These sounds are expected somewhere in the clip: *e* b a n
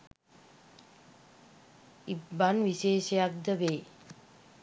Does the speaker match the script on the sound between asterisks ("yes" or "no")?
no